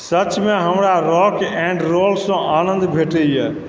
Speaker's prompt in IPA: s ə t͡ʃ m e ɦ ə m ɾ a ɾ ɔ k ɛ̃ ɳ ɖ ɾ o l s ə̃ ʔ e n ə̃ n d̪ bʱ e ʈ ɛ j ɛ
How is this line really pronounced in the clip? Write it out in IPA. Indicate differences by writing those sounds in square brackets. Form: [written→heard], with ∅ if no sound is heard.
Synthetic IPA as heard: s ə t͡ʃ m e ɦ ə m ɾ a ɾ ɔ k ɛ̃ ɳ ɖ ɾ o l s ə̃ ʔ [e→a] n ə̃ n d̪ bʱ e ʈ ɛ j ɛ